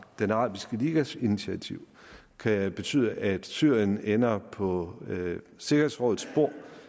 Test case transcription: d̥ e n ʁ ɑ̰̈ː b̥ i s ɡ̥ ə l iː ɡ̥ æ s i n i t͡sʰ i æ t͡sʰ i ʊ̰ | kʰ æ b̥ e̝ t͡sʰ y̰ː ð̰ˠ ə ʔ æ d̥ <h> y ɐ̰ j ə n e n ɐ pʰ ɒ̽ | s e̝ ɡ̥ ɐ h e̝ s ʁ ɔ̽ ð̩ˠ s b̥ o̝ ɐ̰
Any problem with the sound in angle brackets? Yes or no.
yes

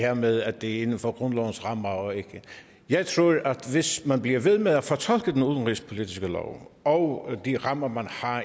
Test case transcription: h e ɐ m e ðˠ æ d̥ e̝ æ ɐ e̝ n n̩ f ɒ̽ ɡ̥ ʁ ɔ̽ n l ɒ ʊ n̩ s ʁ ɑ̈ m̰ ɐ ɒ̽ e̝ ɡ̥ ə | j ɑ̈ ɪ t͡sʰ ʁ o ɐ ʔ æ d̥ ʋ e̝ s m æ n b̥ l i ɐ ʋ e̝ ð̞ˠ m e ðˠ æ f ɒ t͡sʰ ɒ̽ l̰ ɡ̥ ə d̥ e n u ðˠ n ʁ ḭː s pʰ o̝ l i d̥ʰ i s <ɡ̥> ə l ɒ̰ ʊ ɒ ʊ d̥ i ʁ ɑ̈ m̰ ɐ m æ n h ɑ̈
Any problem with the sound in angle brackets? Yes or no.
no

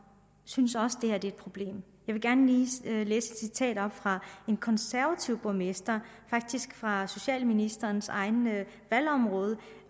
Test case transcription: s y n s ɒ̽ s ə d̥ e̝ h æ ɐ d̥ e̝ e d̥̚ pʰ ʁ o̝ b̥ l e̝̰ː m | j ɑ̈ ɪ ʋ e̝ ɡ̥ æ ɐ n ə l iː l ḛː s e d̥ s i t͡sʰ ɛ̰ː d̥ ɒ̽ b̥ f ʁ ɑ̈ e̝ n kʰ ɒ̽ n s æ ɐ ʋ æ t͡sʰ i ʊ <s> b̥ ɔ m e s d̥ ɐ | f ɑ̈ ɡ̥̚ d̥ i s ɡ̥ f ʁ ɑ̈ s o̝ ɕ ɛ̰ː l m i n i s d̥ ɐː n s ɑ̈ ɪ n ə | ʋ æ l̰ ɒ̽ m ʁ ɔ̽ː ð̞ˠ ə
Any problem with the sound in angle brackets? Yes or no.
yes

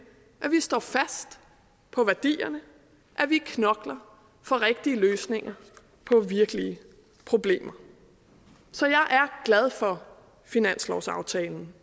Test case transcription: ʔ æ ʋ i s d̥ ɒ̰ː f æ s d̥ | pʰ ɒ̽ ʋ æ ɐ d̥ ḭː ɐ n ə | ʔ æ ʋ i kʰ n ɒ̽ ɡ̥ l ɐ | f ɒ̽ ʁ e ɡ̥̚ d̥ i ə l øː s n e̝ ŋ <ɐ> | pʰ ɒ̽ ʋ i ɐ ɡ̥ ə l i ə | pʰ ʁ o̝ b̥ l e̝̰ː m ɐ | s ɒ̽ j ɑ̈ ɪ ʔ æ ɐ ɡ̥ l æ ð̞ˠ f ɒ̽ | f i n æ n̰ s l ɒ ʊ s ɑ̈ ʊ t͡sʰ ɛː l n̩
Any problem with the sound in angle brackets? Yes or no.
no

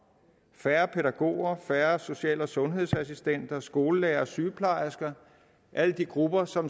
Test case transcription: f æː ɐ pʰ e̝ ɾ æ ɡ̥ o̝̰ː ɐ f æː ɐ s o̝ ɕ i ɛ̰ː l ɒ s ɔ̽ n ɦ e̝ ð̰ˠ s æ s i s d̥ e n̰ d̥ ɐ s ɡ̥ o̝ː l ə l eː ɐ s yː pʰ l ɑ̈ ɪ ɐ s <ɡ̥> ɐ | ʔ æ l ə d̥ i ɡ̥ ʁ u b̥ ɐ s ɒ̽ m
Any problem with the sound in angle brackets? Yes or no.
no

